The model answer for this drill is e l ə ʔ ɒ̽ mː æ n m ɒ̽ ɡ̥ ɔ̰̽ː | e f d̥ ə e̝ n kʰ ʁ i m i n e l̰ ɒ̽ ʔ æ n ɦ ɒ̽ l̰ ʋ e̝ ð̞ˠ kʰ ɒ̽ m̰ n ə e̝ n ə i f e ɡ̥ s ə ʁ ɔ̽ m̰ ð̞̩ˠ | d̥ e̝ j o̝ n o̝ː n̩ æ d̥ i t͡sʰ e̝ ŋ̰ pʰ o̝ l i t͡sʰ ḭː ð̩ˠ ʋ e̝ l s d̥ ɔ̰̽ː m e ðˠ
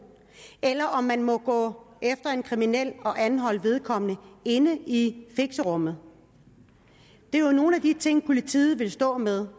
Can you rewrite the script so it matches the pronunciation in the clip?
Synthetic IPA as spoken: e l ɐ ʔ ɒ̽ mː æ n m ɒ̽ ɡ̥ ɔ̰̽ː | e f d̥ ɐ e̝ n kʰ ʁ i m i n e l̰ ɒ̽ ʔ æ n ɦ ɒ̽ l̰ ʋ e̝ ð̞ˠ kʰ ɒ̽ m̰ n ə e̝ n ə i f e ɡ̥ s ə ʁ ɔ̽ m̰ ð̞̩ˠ | d̥ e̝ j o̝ n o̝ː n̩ æ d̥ i t͡sʰ e̝ ŋ̰ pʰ o̝ l i t͡sʰ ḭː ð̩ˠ ʋ e̝ l s d̥ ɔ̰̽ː m e ðˠ